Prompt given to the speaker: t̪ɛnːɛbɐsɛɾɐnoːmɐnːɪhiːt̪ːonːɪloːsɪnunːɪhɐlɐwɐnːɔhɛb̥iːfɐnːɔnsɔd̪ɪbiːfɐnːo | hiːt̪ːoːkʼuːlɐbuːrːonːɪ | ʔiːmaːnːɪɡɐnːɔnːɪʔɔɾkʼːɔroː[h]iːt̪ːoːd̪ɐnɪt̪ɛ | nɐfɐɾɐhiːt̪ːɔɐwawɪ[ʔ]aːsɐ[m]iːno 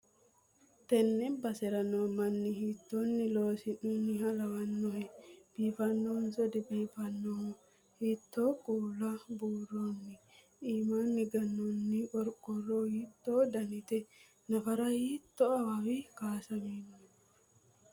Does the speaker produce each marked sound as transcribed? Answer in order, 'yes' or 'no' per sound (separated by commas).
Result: yes, no, yes